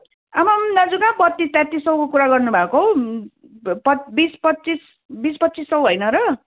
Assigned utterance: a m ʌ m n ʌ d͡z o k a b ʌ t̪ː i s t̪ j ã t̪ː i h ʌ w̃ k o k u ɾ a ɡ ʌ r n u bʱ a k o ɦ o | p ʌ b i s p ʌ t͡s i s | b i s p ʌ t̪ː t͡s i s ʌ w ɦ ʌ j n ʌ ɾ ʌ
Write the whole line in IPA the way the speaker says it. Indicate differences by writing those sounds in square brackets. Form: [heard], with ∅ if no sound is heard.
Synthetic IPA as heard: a m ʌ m n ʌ d͡z [u] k a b ʌ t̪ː i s t̪ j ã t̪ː i [s] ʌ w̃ k o k u ɾ a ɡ ʌ r n u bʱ a k o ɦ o | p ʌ b i s p ʌ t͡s i s | b i s p ʌ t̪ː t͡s i s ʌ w ɦ ʌ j n ʌ ɾ ʌ